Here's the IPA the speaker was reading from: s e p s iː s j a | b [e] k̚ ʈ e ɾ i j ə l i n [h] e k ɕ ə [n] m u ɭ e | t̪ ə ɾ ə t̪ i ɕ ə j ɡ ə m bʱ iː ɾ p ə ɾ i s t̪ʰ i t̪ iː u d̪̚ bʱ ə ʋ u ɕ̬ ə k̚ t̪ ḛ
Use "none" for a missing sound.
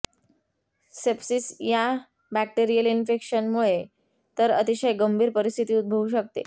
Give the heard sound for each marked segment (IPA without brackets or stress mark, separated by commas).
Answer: æ, f, n